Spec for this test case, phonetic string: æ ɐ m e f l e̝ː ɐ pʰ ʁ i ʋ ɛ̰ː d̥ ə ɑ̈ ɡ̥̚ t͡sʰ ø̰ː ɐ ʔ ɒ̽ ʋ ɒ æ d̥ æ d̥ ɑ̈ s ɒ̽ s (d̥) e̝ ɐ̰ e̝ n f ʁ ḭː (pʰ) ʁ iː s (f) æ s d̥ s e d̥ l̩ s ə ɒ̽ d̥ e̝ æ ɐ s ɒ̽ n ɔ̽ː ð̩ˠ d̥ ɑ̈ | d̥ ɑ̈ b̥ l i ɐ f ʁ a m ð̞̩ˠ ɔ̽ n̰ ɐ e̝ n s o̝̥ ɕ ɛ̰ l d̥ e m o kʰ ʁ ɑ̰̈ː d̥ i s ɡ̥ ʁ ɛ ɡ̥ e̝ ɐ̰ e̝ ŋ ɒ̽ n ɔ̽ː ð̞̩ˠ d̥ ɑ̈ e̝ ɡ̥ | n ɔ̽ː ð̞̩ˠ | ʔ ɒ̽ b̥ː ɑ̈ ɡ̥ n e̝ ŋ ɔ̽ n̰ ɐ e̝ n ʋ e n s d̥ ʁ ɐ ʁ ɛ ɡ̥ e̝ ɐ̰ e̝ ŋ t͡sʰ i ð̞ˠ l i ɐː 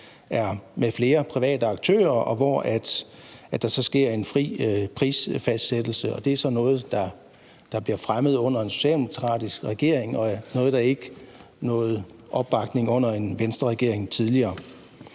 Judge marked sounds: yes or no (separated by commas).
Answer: no, yes, yes